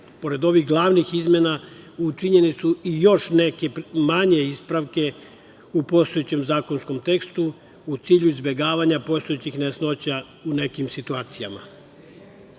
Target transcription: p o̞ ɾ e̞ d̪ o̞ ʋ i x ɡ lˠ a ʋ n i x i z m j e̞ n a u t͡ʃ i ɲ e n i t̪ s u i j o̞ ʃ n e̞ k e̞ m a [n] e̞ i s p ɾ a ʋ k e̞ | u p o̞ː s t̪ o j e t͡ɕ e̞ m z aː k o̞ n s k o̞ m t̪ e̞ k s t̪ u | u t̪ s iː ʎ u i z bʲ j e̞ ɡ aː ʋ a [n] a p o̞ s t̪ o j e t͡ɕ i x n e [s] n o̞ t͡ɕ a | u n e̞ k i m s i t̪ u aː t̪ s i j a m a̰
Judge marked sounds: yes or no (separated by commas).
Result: no, no, yes